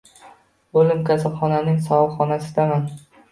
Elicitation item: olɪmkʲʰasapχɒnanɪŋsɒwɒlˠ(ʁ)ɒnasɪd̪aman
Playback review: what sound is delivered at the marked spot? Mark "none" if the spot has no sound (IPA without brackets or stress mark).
χ